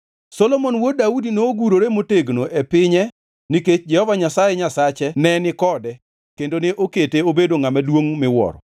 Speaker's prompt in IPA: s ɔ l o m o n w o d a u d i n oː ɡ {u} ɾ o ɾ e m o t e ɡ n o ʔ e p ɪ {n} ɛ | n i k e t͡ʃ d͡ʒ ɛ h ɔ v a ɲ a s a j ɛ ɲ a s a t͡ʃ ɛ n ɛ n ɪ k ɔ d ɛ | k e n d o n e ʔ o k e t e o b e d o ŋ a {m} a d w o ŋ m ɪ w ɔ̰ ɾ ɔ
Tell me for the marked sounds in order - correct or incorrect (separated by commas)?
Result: correct, incorrect, correct